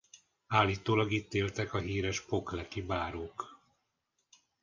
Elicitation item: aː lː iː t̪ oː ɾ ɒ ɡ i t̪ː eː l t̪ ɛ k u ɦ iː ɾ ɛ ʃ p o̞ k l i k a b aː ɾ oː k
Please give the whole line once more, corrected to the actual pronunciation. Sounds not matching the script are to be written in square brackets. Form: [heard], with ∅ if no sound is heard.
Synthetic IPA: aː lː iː t̪ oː [l] ɒ ɡ i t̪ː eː l t̪ ɛ k [ɒ] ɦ iː ɾ ɛ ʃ p o̞ k l [ɛ] k [i] b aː ɾ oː k